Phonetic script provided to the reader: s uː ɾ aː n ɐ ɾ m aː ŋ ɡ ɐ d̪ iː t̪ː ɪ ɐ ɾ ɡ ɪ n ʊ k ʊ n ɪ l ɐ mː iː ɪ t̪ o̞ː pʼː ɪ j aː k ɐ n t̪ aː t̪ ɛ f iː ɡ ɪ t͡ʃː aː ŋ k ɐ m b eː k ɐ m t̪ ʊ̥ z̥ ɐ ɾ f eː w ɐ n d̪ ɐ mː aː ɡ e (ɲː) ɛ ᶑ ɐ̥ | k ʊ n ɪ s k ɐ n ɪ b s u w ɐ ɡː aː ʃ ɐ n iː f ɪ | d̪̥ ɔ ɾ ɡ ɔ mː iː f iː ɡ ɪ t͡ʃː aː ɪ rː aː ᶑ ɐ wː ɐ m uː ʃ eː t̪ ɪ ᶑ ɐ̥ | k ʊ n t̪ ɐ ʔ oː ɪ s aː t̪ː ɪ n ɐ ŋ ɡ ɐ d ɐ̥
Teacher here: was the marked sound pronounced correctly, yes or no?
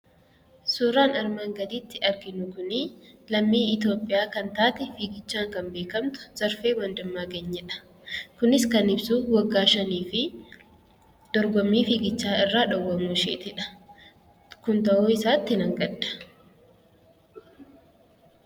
yes